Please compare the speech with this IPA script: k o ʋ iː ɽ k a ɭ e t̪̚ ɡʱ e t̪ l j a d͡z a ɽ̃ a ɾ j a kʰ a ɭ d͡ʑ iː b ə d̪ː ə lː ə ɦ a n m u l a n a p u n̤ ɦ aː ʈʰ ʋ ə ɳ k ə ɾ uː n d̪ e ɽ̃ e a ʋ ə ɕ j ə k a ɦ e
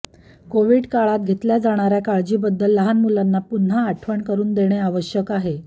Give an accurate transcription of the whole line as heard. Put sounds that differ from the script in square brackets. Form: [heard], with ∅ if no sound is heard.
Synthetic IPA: k o ʋ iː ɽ k a ɭ [a] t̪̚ ɡʱ e t̪ l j a d͡z a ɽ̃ a ɾ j a [k] a ɭ d͡ʑ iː b ə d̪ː ə lː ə ɦ a n m u l a [nː] a p u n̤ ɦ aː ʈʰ ʋ ə ɳ k ə ɾ uː n d̪ e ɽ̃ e a ʋ ə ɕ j ə k a ɦ e